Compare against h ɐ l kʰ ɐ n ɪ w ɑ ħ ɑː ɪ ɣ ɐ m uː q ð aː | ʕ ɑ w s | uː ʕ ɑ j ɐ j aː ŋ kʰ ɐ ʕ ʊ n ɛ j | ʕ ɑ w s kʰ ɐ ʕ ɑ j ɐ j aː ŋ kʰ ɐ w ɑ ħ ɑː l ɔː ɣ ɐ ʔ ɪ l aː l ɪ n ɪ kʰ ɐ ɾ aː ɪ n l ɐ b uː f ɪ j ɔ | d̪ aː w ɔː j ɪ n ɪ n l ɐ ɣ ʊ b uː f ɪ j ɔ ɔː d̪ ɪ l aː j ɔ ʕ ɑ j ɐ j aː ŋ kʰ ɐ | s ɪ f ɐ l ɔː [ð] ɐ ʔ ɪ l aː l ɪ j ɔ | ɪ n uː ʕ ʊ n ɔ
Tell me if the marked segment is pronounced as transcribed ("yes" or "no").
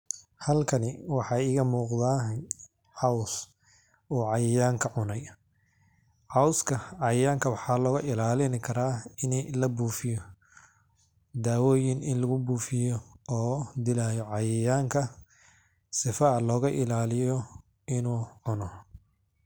no